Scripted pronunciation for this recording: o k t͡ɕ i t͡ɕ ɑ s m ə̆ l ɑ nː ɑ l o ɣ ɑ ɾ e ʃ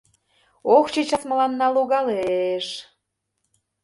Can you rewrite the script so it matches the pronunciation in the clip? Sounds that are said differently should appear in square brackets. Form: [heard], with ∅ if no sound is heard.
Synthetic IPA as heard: o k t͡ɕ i t͡ɕ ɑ s m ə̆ l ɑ nː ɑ l [u] ɣ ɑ [l] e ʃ